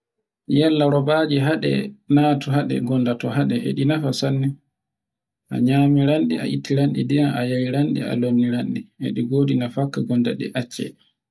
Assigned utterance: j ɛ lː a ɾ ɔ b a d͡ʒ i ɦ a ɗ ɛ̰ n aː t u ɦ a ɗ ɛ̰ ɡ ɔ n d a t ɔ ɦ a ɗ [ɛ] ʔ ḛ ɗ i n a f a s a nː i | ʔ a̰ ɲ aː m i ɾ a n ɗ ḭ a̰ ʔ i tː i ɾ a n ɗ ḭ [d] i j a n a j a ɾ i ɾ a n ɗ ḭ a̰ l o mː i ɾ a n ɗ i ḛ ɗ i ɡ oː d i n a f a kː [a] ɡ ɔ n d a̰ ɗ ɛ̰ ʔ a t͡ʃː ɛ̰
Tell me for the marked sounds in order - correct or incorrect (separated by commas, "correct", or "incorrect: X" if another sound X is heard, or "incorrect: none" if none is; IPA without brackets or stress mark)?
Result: correct, correct, correct